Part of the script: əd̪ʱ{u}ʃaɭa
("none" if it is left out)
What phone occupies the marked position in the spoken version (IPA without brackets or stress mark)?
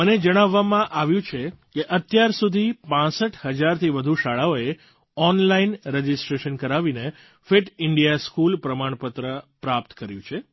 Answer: u